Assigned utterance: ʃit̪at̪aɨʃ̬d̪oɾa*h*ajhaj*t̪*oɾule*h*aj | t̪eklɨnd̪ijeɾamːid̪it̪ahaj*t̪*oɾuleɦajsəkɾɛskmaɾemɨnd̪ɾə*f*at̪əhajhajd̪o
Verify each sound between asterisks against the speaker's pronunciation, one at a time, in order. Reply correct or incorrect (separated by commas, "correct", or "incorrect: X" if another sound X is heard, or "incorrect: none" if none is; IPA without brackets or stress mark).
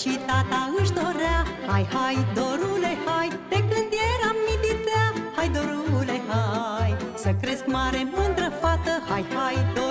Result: correct, incorrect: d̪, correct, incorrect: d̪, correct